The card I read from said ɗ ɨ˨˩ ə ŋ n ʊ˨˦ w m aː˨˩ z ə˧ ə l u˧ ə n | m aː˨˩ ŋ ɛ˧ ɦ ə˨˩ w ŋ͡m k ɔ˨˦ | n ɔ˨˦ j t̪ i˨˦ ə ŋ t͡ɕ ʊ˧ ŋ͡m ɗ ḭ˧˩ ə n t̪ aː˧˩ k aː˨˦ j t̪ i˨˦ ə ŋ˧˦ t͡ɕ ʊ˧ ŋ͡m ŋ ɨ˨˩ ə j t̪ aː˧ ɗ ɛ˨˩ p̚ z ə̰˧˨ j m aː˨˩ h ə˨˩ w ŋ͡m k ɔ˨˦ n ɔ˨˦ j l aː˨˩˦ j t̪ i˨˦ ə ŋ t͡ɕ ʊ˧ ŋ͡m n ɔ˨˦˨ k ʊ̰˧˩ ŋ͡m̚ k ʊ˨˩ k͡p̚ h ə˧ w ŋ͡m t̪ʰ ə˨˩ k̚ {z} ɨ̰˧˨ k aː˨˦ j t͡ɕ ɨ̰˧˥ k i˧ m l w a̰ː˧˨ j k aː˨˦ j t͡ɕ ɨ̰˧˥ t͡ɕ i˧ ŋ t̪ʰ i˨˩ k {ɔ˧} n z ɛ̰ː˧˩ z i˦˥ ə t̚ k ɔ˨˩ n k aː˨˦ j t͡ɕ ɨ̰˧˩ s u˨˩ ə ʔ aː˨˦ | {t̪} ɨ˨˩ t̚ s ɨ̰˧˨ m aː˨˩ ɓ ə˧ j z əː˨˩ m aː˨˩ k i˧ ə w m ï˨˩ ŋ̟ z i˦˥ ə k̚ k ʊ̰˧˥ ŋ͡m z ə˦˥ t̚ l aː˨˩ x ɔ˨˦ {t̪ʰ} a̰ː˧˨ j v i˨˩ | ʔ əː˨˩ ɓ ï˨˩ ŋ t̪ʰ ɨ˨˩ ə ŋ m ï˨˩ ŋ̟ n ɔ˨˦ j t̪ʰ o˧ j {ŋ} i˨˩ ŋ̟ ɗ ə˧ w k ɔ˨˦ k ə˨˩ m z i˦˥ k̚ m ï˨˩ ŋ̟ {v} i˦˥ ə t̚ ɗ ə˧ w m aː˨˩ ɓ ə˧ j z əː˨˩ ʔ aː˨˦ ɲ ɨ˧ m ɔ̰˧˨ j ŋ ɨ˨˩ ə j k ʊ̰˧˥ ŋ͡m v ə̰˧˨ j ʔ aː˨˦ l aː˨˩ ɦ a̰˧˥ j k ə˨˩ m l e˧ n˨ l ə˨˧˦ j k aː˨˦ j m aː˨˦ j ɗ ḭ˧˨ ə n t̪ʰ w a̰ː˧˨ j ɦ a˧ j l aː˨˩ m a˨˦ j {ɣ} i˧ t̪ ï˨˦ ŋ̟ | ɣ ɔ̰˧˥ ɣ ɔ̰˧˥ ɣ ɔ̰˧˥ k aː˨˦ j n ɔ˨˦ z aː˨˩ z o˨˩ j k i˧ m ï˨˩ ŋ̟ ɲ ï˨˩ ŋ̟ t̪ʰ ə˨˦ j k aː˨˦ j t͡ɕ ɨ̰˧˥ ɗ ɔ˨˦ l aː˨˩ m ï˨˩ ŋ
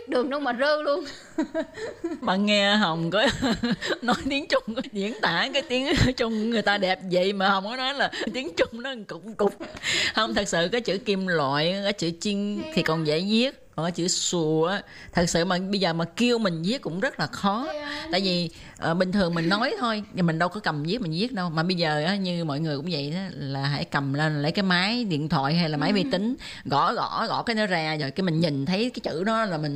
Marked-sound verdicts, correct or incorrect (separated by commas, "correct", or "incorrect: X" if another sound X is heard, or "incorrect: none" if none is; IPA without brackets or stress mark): incorrect: s, incorrect: ɔ˨˩, incorrect: t̪ʰ, incorrect: t̪, incorrect: m, incorrect: z, incorrect: v